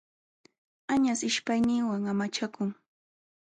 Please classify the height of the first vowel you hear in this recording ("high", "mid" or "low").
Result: low